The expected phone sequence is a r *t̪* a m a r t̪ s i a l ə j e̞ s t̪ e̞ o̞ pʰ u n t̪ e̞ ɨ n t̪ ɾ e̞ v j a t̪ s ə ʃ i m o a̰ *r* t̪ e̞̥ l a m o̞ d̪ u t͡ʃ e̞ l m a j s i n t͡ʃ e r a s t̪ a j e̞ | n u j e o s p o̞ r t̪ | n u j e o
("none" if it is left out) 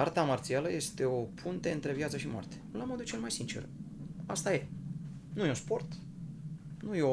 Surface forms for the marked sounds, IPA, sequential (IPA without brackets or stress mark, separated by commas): t̪, r